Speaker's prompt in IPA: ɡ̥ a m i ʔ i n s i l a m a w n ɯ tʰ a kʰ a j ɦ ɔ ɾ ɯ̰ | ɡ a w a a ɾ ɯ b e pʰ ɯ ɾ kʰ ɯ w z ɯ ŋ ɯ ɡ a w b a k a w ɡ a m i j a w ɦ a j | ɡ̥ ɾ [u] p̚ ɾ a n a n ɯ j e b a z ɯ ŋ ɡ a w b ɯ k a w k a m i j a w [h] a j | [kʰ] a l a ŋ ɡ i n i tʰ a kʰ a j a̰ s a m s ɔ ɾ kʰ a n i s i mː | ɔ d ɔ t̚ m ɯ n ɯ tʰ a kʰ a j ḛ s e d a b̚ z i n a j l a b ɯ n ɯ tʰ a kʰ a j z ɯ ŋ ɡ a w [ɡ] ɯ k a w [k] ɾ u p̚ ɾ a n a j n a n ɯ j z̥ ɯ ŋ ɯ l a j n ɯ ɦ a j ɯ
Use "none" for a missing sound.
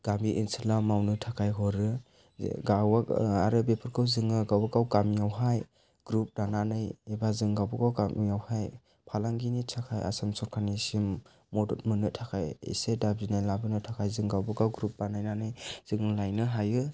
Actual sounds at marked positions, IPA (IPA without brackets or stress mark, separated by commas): u, h, pʰ, b, ɡ